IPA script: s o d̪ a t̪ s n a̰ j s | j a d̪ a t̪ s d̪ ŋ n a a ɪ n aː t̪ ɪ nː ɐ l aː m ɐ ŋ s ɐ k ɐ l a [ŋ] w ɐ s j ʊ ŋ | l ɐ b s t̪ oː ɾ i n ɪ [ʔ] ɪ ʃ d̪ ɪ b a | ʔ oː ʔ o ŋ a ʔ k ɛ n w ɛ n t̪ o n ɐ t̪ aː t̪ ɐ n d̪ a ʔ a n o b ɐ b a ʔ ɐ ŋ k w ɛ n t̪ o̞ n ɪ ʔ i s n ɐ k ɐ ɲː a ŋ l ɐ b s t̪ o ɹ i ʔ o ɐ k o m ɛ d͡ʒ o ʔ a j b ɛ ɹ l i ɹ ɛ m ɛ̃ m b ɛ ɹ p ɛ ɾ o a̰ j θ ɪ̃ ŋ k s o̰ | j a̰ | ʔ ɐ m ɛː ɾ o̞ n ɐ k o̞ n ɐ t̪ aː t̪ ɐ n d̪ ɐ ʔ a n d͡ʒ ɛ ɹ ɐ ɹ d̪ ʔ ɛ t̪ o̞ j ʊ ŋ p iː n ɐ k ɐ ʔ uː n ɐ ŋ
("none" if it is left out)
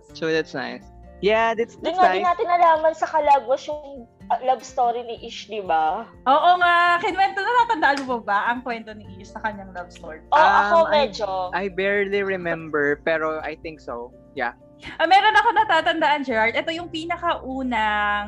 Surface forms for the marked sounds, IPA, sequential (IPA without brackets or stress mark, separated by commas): ɡ, ʔ